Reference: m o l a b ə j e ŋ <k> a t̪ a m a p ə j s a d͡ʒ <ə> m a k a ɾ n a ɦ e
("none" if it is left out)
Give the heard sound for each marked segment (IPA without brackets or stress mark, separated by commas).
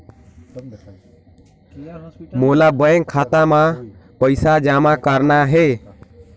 kʰ, a